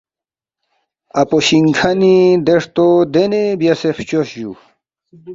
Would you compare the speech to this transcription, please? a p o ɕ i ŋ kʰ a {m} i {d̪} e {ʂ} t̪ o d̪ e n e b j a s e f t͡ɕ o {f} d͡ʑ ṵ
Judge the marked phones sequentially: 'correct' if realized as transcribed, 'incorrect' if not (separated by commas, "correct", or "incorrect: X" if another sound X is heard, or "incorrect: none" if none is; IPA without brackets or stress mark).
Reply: incorrect: n, correct, correct, incorrect: ɕ